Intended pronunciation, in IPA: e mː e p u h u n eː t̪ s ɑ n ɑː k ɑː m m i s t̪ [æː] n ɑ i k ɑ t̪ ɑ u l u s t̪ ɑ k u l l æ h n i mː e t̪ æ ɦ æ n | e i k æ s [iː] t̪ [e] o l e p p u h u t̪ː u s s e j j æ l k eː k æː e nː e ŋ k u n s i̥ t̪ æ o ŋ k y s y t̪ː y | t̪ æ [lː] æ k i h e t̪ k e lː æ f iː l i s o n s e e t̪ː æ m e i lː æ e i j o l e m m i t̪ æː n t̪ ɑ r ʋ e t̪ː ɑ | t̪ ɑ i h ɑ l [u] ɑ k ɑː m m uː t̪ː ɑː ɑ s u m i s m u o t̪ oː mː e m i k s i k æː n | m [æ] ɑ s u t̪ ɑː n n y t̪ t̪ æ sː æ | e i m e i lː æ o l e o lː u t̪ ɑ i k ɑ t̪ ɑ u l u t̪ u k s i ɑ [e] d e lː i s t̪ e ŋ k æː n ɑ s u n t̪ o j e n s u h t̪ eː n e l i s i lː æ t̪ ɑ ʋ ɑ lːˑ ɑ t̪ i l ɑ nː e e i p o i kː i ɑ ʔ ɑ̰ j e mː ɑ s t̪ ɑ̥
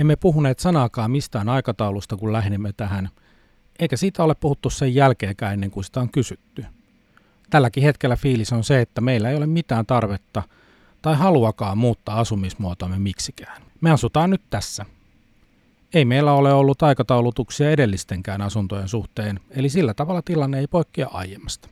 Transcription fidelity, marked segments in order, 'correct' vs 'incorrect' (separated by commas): correct, correct, incorrect, correct, correct, incorrect, correct